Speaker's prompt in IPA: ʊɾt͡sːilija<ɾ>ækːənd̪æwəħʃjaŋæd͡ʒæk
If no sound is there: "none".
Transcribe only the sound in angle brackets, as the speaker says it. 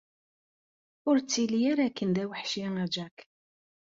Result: ɾ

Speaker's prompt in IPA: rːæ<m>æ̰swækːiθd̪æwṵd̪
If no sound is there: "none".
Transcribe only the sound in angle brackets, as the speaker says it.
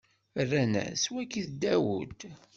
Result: n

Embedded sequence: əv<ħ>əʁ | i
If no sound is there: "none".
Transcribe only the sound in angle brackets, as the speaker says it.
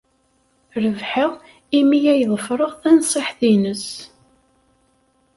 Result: ħ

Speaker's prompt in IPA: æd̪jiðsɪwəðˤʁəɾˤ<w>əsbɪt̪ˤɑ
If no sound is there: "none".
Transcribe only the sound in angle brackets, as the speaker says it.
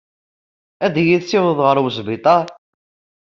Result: w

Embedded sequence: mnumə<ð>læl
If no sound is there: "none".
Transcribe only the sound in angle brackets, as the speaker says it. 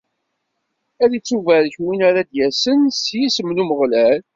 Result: ʁ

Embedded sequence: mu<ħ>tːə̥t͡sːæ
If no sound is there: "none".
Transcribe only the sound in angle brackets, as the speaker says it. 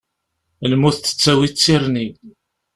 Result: θ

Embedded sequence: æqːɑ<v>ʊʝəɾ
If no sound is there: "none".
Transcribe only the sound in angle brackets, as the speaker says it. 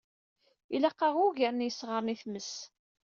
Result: ʁ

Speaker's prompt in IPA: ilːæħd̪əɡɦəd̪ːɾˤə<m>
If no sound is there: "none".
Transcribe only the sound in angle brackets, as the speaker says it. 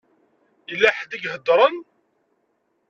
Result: n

